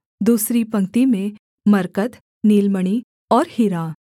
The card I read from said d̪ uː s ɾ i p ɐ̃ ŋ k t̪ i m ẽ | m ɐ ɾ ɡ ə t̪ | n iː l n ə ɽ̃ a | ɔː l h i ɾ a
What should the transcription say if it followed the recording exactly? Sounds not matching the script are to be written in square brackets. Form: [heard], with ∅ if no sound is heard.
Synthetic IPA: d̪ uː s ɾ i p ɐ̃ ŋ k t̪ i m ẽ | m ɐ ɾ [k] ə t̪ | n iː l [m] ə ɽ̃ [i] | ɔː [ɾ] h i ɾ a